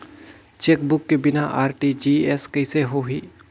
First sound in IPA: t͡ʃ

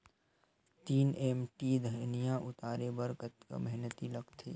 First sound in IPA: t̪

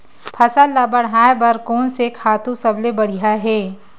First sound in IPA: pʰ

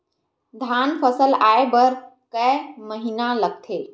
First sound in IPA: d̪ʱ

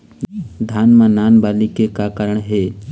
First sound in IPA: d̪ʱ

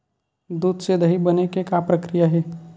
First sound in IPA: d̪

